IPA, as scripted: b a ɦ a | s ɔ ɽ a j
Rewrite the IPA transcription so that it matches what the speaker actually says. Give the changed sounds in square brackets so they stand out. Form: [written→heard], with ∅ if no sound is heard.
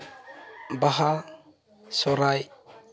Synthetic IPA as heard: b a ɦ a | s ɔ [ɽ→ɾ] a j

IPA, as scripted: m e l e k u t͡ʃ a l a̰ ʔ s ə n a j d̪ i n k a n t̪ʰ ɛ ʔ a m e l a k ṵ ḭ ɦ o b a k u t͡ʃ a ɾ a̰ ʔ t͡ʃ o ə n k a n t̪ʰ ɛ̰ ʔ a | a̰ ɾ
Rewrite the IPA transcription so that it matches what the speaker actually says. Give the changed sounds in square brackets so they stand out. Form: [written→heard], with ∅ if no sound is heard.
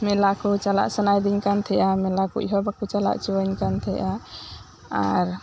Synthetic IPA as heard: m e l [e→a] k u t͡ʃ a l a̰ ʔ s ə n a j d̪ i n k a n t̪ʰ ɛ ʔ a m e l a k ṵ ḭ ɦ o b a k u t͡ʃ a [ɾ→l] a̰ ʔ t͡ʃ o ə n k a n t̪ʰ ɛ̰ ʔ a | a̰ ɾ

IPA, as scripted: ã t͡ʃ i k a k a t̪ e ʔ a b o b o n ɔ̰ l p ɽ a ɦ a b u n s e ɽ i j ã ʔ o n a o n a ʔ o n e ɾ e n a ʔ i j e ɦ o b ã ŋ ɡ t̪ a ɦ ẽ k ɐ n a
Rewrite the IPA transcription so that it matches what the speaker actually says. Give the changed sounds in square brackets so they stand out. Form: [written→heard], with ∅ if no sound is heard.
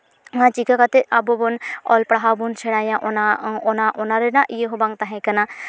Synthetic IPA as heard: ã t͡ʃ i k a k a t̪ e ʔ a b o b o n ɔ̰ l p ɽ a ɦ a b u n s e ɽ [i→a] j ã ʔ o n a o n a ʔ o n [e→a] ɾ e n a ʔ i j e ɦ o b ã ŋ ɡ t̪ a ɦ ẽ k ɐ n a

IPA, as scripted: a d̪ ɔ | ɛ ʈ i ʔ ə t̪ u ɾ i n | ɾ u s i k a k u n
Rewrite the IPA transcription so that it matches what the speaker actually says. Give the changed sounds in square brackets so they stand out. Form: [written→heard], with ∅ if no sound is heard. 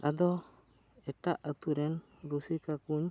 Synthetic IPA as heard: a d̪ ɔ | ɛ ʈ [i→a] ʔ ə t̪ u ɾ [i→ɛ] n | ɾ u s i k a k u [n→ɲ]

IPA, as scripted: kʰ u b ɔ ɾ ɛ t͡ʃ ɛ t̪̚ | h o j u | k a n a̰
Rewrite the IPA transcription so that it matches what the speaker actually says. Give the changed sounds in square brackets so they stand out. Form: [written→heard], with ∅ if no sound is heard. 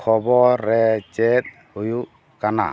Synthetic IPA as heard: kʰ [u→ɔ] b ɔ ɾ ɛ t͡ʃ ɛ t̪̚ | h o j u | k a n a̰

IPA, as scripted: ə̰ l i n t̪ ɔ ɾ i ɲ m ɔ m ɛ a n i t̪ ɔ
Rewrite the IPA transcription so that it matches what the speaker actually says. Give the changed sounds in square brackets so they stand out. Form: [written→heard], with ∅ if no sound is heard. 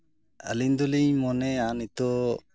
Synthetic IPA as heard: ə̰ l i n [t̪→d̪] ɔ [ɾ→l] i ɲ m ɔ [m→n] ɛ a n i t̪ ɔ

